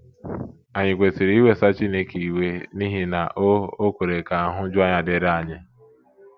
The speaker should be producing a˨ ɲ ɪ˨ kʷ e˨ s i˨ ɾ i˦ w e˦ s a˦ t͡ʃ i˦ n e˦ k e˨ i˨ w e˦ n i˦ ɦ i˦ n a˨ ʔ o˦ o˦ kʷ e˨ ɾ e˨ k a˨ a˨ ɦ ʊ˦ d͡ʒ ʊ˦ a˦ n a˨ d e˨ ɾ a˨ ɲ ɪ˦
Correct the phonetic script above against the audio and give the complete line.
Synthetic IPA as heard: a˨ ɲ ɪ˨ kʷ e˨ s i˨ ɾ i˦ w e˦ s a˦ t͡ʃ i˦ n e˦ k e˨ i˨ w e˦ n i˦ ɦ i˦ n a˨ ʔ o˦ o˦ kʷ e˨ ɾ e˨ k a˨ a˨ ɦ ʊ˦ d͡ʒ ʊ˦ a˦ ɲ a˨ d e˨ ɾ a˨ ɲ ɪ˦